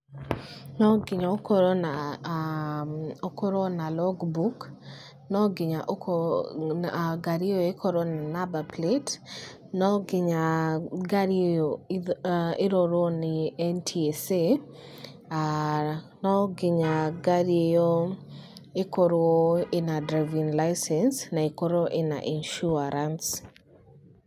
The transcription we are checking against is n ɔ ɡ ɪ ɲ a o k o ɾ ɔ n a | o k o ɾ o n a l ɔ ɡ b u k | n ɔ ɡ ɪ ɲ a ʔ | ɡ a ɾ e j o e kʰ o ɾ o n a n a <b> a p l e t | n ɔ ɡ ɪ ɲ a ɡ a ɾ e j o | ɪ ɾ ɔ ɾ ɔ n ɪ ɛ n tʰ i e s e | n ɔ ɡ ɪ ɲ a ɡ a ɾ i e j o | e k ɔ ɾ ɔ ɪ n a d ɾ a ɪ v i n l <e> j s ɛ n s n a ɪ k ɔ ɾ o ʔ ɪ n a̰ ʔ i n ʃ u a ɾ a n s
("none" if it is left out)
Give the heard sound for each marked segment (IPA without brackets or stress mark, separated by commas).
b, a